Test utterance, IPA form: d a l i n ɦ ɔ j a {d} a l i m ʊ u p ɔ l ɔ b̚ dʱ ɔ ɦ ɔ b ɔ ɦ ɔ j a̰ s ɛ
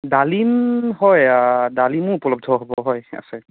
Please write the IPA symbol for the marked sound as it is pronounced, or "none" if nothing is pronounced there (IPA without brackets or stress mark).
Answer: d